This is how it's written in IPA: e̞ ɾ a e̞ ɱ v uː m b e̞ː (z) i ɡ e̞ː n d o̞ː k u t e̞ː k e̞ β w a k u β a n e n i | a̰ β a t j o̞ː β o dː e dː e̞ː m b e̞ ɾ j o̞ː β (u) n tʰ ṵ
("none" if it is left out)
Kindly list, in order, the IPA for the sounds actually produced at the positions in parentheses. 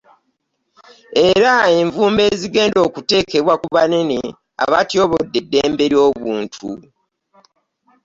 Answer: z, uː

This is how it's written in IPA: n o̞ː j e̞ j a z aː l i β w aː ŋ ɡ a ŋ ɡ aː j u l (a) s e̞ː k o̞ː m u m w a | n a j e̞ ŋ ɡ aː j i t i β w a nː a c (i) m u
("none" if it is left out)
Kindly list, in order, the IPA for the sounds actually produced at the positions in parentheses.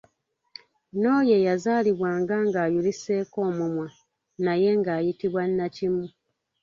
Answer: i, i

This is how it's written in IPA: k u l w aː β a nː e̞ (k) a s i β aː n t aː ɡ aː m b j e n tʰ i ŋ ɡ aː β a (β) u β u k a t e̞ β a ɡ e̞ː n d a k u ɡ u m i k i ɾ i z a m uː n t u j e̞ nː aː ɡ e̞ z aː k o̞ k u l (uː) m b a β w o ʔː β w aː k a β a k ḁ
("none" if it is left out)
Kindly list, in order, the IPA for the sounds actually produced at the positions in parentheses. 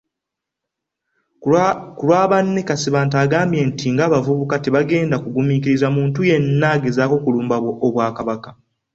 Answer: k, v, uː

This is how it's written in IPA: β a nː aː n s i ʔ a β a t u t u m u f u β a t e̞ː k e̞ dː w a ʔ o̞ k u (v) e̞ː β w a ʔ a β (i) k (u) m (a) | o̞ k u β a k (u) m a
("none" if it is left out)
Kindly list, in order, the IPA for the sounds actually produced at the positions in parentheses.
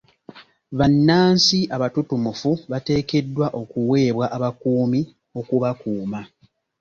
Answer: w, a, uː, i, uː

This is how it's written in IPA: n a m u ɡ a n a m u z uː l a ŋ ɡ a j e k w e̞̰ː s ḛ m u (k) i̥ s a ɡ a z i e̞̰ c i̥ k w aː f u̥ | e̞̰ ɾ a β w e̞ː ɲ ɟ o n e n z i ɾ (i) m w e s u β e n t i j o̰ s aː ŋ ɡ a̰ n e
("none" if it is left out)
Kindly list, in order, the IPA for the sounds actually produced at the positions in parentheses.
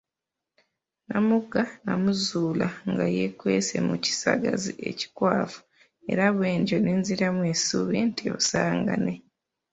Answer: c, a

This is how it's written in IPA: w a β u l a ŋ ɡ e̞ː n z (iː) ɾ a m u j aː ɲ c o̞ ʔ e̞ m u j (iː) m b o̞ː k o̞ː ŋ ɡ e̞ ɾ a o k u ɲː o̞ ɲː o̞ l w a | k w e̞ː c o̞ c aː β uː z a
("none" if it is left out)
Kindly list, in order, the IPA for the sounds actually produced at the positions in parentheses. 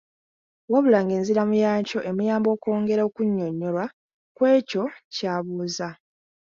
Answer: i, aː

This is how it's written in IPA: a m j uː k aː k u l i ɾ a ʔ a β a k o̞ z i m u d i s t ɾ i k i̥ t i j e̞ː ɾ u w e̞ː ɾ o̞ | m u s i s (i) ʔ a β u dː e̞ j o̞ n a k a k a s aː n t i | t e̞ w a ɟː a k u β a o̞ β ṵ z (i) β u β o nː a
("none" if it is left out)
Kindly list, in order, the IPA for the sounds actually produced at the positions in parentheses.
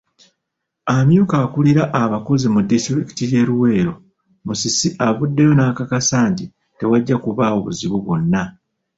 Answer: i, i

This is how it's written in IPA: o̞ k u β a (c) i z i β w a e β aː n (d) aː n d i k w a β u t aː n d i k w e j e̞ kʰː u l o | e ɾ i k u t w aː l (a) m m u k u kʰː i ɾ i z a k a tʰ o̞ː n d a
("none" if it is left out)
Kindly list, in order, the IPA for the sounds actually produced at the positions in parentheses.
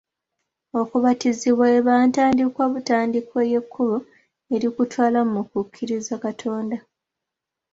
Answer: t, t, a

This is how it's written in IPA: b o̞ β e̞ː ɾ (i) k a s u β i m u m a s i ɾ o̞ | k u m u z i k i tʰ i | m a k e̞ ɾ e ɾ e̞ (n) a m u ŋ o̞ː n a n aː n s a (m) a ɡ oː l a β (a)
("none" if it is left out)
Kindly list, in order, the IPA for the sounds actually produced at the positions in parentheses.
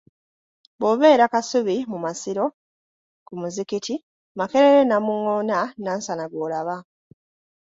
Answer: a, n, n, a

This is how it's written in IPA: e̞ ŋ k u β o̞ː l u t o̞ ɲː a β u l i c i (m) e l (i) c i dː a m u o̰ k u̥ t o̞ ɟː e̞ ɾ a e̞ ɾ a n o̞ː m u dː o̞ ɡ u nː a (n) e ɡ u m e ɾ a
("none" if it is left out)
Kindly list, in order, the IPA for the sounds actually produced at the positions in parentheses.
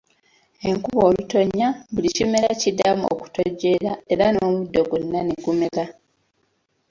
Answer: m, a, n

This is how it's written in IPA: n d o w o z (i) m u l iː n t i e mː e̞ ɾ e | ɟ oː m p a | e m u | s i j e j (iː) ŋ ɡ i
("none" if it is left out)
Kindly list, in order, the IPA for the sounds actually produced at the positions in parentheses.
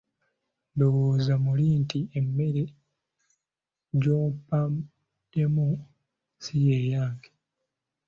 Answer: a, aː

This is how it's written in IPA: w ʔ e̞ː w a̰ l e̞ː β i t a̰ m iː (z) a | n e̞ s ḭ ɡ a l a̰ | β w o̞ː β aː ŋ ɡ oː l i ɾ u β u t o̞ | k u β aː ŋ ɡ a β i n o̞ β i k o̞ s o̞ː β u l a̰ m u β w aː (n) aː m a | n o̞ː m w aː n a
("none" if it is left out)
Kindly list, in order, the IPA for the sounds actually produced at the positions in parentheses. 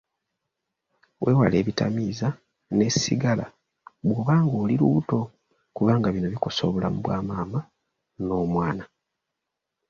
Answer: z, m

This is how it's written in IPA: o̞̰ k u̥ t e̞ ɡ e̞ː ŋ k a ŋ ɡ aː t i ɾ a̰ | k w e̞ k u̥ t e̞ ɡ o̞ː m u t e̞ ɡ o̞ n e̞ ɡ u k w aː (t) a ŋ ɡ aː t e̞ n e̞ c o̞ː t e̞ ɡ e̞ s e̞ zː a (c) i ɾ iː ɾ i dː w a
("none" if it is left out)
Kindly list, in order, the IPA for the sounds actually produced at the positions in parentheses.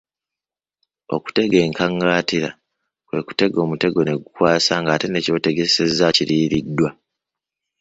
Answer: s, c

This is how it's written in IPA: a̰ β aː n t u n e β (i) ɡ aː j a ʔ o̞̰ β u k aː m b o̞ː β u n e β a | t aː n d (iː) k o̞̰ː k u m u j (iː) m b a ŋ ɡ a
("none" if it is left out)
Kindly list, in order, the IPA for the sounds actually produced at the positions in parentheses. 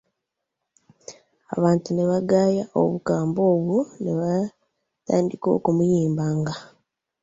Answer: a, i, iː

